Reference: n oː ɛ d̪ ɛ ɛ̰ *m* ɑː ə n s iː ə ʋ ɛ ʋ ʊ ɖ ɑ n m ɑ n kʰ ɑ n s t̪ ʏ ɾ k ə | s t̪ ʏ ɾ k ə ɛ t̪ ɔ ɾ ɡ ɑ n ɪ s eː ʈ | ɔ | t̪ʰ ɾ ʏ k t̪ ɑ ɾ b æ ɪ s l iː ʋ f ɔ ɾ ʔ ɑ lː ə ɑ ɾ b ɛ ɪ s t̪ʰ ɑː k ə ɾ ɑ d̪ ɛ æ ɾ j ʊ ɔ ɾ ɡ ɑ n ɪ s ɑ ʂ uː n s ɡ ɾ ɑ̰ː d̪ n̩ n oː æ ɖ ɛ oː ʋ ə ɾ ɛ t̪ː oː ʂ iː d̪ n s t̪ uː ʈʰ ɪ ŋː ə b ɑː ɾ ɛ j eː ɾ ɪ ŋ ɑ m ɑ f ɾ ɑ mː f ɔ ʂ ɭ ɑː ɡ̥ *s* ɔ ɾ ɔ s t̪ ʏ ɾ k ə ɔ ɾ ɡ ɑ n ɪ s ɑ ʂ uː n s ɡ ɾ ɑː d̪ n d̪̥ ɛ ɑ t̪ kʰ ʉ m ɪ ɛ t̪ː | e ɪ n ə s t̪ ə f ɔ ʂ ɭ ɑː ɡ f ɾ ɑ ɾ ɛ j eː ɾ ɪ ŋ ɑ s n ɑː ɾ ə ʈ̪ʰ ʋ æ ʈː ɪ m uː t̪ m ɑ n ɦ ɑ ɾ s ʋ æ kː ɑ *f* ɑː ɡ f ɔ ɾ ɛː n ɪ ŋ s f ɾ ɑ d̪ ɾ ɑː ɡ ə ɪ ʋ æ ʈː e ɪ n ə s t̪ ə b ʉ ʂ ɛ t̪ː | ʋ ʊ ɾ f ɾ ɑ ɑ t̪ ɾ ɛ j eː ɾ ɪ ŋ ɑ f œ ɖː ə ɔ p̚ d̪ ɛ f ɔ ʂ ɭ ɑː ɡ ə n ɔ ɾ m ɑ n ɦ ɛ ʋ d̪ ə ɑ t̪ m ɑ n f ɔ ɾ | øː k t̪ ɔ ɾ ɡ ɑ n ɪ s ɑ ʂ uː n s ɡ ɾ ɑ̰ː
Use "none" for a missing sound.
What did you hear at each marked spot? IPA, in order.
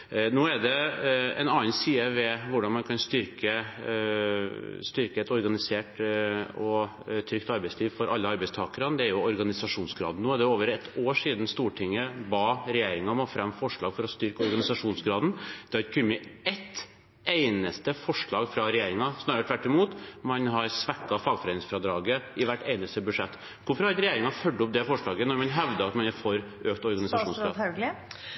n, f, f

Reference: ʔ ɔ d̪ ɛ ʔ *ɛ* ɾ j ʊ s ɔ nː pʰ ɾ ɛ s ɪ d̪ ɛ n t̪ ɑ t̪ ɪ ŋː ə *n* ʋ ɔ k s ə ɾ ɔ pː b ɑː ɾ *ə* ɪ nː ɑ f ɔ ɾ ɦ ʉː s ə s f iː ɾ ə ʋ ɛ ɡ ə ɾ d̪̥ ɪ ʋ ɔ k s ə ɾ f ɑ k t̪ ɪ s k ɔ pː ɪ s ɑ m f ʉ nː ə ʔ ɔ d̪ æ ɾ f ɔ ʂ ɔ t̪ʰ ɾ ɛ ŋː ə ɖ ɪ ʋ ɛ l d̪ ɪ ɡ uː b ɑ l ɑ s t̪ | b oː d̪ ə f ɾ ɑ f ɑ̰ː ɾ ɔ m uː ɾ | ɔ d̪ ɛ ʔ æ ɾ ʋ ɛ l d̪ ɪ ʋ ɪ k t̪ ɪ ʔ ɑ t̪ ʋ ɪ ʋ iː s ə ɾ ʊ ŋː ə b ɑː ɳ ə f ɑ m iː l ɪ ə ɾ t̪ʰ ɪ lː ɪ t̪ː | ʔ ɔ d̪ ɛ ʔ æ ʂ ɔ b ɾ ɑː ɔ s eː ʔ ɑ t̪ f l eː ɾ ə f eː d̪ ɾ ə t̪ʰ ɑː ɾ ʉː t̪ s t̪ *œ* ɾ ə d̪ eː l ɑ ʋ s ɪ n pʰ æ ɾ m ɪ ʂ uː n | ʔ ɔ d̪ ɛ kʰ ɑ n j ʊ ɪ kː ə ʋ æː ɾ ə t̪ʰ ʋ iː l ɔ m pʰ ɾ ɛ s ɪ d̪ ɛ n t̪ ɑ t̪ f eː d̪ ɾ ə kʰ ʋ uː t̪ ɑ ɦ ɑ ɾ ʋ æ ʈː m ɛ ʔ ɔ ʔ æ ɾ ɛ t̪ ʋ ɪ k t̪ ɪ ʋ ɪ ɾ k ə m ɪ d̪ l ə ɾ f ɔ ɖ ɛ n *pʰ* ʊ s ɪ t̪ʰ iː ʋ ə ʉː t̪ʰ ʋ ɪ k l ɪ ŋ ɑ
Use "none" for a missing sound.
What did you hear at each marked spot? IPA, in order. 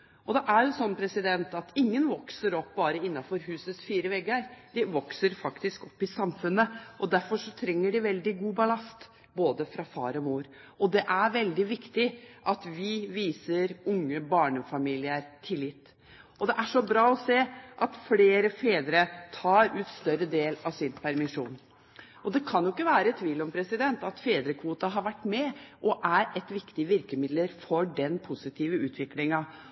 æ, n, ə, œ, pʰ

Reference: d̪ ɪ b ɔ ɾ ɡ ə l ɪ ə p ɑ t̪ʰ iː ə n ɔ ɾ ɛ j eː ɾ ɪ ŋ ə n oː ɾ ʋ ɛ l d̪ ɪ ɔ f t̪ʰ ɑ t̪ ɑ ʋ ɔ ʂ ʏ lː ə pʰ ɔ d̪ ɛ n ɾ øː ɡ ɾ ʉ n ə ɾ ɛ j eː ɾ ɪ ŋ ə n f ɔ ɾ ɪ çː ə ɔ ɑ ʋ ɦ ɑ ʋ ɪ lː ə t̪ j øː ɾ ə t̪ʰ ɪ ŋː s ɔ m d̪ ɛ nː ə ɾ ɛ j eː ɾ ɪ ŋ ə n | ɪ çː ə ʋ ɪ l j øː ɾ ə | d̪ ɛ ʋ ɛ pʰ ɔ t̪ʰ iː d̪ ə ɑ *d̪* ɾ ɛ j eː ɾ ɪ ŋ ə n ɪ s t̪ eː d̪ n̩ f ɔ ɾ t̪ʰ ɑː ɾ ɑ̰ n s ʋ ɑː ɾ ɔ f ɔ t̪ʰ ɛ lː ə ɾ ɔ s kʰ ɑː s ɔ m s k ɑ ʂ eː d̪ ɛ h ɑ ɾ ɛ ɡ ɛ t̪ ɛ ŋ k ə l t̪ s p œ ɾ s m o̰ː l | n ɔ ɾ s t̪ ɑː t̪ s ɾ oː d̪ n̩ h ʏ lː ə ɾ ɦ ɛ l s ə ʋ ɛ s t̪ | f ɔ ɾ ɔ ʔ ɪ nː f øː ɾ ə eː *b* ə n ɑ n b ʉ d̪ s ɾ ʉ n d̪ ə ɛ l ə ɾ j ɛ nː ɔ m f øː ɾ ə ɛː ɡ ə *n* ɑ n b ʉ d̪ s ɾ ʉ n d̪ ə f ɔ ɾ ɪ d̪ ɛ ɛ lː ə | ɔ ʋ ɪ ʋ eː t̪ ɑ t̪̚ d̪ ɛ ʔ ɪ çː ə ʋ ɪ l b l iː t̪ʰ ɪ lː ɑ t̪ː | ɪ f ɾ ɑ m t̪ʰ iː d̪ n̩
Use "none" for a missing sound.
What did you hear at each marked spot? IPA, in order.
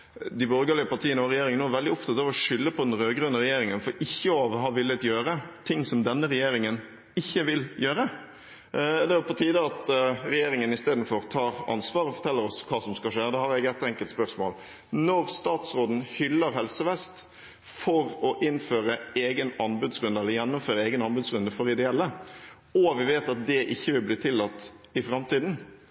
t̪, ɡ, n

